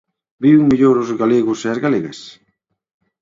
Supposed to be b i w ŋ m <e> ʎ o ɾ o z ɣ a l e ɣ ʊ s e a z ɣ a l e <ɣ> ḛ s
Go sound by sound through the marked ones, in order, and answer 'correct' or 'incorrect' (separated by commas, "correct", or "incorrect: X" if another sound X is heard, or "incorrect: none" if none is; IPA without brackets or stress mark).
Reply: incorrect: i, correct